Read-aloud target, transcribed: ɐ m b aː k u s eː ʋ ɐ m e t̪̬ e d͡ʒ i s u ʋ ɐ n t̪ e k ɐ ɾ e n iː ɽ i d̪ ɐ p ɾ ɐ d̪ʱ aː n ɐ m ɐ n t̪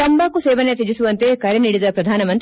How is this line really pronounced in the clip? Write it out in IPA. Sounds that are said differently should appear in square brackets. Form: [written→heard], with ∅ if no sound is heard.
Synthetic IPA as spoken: ɐ m b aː k u s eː ʋ ɐ [m→n] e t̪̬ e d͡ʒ i s u ʋ ɐ n t̪ e k ɐ ɾ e n iː ɽ i d̪ ɐ p ɾ ɐ d̪ʱ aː n ɐ m ɐ n t̪